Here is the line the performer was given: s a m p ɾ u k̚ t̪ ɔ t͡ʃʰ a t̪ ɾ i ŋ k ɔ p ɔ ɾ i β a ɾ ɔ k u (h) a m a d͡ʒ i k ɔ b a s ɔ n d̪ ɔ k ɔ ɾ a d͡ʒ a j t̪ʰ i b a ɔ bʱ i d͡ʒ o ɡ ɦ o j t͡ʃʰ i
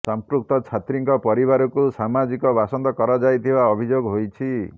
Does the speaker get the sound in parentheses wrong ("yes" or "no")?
yes